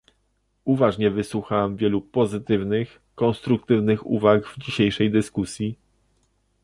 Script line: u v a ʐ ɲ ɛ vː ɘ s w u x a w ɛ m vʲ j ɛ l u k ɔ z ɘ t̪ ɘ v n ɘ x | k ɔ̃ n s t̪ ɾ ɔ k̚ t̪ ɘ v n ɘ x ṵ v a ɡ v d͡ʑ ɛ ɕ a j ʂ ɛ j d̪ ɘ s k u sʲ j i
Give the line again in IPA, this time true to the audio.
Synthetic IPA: u v a ʐ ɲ ɛ v ɘ s w u x a w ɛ m vʲ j ɛ l u p ɔ z ɘ t̪ ɘ v n ɘ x | k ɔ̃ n s t̪ ɾ u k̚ t̪ ɘ v n ɘ x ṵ v a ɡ v d͡ʑ i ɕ e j ʂ ɛ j d̪ ɘ s k u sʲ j i